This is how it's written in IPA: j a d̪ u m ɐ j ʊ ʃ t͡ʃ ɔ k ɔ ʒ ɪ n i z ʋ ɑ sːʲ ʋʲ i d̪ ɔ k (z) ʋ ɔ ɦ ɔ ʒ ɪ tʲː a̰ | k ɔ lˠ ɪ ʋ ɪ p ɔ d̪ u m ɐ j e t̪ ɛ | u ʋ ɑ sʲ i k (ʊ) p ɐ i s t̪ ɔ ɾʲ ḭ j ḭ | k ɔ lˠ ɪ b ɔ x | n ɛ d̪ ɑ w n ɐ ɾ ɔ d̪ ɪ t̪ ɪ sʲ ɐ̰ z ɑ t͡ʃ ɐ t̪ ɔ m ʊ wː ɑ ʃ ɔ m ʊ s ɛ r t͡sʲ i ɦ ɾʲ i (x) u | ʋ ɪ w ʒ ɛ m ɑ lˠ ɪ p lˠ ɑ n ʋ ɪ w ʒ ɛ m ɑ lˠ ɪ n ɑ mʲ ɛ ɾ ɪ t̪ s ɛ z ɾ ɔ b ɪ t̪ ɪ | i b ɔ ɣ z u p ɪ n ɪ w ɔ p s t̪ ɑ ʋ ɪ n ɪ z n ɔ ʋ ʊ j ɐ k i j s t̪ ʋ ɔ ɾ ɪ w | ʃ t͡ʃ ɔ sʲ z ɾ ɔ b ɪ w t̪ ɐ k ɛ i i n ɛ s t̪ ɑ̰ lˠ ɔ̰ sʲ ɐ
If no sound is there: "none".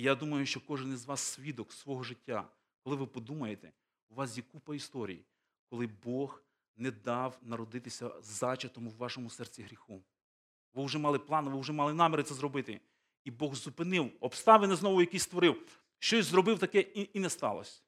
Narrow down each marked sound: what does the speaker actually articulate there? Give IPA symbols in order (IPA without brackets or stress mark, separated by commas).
s, u, x